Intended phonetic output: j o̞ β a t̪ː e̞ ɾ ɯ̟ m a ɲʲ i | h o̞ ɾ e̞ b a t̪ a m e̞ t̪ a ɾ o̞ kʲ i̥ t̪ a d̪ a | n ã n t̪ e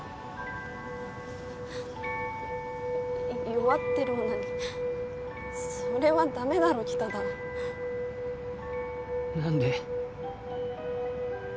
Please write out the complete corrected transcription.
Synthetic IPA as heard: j o̞ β a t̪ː e̞ ɾ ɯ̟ n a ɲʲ i | s o̞ ɾ e̞ β a d̪ a m e̞ d̪ a ɾ o̞ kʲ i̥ t̪ a d̪ a | n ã n d̪ e